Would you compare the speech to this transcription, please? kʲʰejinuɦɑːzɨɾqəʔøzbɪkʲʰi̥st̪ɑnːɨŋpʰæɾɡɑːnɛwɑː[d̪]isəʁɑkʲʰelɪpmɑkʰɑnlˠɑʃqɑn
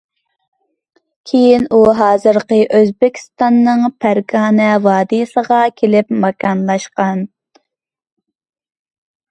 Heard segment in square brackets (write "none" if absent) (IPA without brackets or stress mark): d̪